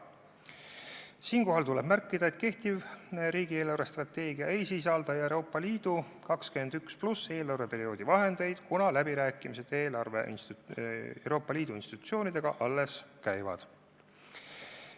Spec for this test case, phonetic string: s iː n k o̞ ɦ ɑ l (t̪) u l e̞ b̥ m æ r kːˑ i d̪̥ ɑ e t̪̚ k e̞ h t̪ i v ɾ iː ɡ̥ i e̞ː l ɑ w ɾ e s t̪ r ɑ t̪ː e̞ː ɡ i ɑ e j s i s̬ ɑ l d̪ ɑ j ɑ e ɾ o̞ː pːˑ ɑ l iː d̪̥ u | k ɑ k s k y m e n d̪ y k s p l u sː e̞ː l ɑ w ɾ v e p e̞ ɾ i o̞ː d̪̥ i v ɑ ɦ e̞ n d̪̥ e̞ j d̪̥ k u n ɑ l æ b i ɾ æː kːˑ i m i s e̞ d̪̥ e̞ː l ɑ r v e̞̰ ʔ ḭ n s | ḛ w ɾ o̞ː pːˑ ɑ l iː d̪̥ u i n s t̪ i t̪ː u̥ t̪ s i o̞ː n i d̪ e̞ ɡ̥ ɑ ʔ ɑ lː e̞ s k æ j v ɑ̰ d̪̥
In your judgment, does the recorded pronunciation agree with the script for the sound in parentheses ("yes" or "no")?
yes